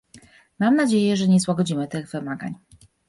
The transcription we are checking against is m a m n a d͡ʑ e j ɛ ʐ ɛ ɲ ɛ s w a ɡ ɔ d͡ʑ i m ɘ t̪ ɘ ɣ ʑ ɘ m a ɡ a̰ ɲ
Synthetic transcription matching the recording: m a m n a d͡ʑ e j ɛ ʐ ɛ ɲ ɛ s w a ɡ ɔ d͡ʑ i m ɘ t̪ ɘ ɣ v ɘ m a ɡ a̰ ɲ